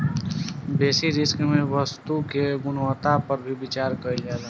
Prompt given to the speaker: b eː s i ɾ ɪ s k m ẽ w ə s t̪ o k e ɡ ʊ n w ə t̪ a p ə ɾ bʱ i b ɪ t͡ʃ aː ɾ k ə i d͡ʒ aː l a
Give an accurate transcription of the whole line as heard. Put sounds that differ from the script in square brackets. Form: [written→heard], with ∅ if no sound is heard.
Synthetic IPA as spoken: b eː s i ɾ ɪ s k m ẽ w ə s t̪ [o→u] k e ɡ ʊ n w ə t̪ a p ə ɾ bʱ i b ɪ t͡ʃ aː ɾ k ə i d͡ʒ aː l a